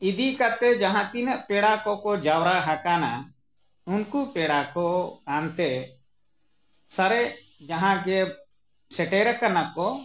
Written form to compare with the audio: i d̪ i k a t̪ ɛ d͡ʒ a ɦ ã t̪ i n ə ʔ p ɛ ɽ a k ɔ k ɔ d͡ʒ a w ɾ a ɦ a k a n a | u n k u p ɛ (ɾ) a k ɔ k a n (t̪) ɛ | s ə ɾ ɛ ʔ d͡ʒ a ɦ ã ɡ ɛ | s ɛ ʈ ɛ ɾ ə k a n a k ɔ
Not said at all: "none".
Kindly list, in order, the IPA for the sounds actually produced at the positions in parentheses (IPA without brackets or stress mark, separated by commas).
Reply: ɽ, t̪